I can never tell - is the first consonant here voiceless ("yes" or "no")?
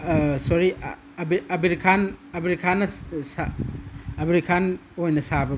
yes